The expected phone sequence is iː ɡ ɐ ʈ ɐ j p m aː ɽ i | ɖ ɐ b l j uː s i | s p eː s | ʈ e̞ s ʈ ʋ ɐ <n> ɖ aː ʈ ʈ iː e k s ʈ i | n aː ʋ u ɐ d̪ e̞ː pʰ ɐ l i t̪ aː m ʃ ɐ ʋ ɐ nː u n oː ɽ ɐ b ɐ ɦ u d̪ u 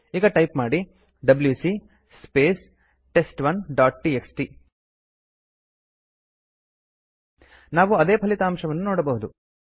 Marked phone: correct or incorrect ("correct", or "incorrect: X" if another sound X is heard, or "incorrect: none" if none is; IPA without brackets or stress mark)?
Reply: correct